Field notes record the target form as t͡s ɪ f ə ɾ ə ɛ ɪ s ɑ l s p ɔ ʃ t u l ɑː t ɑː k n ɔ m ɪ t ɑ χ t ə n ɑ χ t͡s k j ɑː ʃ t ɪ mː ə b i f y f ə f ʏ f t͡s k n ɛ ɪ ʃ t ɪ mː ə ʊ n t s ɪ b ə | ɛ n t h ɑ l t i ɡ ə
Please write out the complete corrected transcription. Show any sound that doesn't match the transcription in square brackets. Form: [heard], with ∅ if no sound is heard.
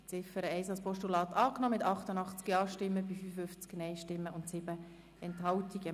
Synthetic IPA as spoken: t͡s ɪ f ə ɾ ə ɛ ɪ s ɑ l s p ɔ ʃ t u l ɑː t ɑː k n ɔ m ɪ t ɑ χ t ə n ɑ χ t͡s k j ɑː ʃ t ɪ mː ə b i f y f ə f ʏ f t͡s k n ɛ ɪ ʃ t ɪ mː ə ʊ n t s ɪ b ə | ɛ n t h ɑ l t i ɡ ə